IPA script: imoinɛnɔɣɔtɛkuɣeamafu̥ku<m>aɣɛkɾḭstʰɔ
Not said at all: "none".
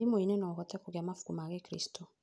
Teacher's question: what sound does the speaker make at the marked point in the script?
m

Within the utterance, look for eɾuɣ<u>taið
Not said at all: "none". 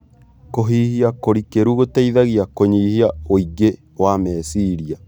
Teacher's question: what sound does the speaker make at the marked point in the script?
o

